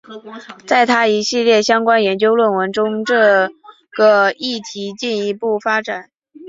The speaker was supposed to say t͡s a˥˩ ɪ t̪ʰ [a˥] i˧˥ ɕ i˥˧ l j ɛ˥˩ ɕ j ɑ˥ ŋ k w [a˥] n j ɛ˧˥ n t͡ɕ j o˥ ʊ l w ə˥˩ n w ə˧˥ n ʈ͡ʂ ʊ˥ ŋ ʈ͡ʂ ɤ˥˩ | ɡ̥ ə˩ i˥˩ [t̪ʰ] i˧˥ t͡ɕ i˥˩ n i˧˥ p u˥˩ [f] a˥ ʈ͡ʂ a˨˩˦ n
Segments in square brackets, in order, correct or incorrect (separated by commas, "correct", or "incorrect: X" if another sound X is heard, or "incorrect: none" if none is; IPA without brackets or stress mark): correct, correct, correct, correct